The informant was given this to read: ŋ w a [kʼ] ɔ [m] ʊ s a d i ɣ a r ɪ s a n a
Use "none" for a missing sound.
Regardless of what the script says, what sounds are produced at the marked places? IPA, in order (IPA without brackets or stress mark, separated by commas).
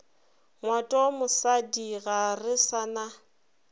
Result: tʼ, m